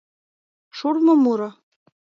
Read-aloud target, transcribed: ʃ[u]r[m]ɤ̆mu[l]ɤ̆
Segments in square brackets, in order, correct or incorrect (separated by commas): correct, correct, incorrect